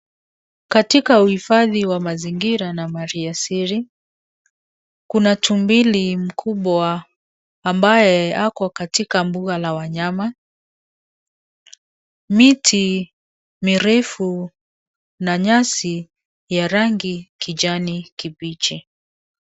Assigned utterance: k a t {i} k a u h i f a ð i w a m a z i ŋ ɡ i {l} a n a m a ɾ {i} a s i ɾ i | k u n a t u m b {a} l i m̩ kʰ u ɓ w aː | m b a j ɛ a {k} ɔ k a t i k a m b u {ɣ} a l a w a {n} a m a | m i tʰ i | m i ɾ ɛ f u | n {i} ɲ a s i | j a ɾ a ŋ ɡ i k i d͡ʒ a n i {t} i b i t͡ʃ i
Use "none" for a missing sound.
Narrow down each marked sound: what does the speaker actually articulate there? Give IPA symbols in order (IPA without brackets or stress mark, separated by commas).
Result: i, ɾ, i, i, k, ɣ, ɲ, a, k